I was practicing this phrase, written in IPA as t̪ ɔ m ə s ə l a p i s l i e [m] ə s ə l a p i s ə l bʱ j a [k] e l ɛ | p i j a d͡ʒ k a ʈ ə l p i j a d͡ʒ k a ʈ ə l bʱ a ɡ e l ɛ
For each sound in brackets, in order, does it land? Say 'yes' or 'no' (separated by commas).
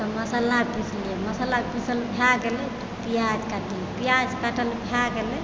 yes, no